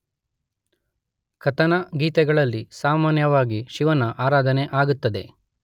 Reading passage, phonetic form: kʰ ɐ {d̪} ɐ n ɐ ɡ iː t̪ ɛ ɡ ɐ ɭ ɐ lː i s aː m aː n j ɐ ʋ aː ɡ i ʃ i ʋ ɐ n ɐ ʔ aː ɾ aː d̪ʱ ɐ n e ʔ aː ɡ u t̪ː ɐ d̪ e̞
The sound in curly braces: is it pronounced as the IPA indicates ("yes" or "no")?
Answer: no